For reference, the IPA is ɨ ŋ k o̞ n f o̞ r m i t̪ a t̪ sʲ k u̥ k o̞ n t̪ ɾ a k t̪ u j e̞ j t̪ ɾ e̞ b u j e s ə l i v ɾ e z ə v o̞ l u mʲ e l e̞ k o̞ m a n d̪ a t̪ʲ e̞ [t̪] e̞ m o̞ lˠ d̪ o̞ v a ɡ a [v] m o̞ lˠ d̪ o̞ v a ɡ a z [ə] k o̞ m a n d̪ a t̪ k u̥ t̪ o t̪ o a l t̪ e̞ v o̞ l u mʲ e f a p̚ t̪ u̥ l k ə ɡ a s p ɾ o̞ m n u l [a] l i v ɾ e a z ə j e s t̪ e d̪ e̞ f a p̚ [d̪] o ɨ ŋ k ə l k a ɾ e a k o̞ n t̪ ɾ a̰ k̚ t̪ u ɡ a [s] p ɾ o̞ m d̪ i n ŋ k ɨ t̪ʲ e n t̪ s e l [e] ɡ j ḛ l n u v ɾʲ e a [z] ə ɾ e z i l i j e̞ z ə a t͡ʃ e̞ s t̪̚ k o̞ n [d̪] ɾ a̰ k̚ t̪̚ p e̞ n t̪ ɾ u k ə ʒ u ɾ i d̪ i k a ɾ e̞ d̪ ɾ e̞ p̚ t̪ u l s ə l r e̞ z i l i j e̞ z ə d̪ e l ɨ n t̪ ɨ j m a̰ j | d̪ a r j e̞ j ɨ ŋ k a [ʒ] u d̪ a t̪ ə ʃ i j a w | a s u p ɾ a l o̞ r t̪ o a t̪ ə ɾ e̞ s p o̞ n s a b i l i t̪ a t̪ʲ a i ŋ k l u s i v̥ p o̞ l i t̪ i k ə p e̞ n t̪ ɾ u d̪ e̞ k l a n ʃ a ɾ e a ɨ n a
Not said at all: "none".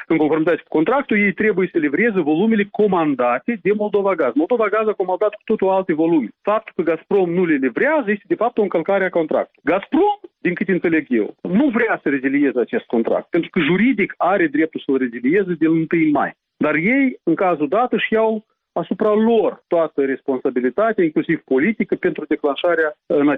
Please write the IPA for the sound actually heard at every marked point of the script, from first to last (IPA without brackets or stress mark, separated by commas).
d̪, z, a, e, t̪, s, e, s, t̪, z